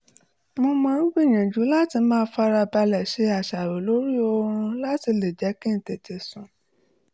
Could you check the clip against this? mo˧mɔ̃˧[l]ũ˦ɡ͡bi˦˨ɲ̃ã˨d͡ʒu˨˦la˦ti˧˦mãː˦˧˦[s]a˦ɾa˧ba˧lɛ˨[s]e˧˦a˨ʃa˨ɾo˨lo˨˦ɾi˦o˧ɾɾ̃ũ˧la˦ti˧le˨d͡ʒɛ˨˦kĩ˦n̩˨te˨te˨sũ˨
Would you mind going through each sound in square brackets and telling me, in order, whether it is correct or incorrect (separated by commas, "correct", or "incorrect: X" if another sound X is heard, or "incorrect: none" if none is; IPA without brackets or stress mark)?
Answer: incorrect: ɾ, incorrect: f, incorrect: ʃ